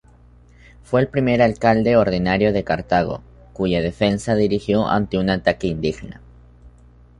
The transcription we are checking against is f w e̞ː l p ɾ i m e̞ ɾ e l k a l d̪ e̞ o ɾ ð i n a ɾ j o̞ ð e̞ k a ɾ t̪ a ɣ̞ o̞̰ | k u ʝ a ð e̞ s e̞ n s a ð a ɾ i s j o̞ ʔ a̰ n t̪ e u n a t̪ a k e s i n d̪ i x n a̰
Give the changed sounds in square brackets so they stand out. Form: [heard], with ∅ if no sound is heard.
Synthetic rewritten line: f w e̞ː l p ɾ i m e̞ ɾ [a] l k a l d̪ e̞ o ɾ ð i n a ɾ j o̞ ð e̞ k a ɾ t̪ a ɣ̞ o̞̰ | k u ʝ a ð e̞ [f] e̞ n s a ð [i] ɾ i [x] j o̞ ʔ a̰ n t̪ e u n a t̪ a k e [∅] i n d̪ i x n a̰